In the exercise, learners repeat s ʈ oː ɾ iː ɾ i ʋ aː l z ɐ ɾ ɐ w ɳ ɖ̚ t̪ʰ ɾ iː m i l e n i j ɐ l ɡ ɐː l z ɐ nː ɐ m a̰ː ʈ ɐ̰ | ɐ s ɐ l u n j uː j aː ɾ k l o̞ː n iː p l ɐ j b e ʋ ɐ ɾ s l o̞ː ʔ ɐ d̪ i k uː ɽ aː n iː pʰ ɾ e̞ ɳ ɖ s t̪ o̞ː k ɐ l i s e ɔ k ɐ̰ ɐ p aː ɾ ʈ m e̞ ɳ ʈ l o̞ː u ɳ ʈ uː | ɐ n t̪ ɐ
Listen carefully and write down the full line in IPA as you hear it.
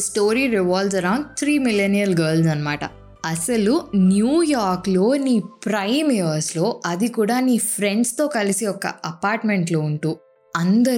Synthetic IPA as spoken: s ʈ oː ɾ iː ɾ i ʋ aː l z ɐ ɾ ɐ w ɳ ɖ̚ t̪ʰ ɾ iː m i l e n i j ɐ l ɡ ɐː l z ɐ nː ɐ m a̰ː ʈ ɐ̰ | ɐ s ɐ l u n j uː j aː ɾ k l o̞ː n iː p ɾ ɐ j m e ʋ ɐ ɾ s l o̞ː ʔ ɐ d̪ i k uː ɽ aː n iː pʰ ɾ e̞ ɳ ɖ s t̪ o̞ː k ɐ l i s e ɔ k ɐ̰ ɐ p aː ɾ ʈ m e̞ ɳ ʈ l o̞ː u ɳ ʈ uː | ɐ n d̪ ɐ